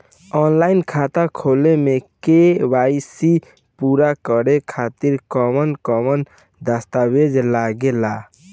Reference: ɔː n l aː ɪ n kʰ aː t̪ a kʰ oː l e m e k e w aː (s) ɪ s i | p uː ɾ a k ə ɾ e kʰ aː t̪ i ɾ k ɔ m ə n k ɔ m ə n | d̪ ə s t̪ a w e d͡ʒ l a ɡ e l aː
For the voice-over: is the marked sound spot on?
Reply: no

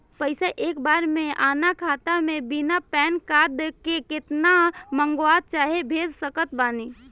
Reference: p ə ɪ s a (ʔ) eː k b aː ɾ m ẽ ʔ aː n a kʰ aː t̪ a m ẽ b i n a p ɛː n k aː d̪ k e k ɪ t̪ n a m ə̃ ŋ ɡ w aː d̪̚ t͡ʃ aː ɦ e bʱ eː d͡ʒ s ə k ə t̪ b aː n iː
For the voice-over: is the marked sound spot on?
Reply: yes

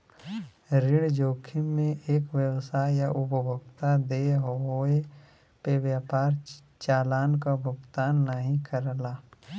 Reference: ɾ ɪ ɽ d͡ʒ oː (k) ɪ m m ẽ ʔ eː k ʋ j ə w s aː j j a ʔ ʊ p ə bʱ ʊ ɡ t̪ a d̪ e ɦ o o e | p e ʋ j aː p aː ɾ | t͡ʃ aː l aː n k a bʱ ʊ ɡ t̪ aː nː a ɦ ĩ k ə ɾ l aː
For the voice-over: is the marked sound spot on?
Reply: no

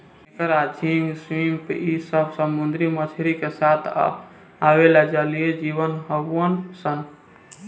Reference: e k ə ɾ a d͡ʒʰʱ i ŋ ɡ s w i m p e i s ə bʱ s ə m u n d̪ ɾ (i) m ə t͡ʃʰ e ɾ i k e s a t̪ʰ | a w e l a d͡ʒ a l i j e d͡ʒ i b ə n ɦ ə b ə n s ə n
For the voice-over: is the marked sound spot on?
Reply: yes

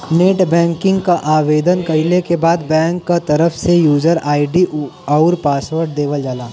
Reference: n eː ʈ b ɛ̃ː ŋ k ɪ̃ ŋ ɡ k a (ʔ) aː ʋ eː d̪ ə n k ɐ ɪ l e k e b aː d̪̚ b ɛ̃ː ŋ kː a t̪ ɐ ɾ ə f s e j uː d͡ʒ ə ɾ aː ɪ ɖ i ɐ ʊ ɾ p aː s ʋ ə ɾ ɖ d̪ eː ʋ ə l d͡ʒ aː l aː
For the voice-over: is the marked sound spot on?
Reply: yes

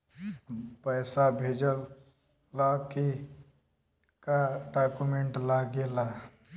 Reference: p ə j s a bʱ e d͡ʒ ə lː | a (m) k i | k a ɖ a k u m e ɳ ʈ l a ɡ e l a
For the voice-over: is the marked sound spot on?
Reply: no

